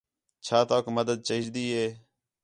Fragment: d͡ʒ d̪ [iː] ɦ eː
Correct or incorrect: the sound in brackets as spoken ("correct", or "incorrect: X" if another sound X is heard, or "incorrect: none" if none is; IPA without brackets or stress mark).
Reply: correct